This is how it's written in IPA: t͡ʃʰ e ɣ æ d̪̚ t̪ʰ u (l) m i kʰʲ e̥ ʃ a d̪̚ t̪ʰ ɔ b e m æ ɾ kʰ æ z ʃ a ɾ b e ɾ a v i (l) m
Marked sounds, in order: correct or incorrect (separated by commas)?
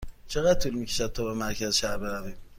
correct, incorrect